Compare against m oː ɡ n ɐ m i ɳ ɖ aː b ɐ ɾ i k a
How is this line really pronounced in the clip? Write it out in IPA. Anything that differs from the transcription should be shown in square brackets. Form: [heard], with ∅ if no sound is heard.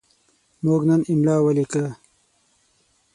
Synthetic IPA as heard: m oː ɡ n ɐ [n] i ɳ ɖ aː [w] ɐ [l] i k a